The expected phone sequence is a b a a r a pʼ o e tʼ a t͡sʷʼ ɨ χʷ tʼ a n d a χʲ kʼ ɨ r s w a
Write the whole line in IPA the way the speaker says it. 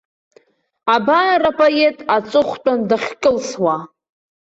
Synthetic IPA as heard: a b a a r a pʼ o e tʼ a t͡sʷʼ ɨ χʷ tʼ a n d a χʲ kʼ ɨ l s w a